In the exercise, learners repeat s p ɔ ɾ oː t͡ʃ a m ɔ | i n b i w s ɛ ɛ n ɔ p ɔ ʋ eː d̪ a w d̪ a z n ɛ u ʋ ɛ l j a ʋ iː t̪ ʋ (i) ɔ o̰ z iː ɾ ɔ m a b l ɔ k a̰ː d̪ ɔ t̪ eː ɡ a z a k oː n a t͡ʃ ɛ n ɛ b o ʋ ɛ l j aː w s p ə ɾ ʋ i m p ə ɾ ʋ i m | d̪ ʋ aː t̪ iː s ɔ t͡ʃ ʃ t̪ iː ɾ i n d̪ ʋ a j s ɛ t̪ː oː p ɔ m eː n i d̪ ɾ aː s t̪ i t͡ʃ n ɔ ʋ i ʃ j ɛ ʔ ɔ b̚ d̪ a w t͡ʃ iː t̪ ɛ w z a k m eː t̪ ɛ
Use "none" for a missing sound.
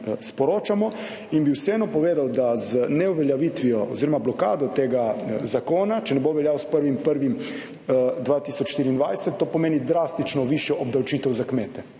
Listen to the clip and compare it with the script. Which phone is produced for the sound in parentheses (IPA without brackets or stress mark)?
i